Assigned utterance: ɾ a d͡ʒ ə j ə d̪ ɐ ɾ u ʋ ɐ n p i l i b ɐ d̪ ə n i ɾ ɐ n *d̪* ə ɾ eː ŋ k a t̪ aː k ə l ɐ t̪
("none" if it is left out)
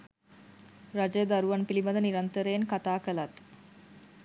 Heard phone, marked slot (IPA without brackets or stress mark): t̪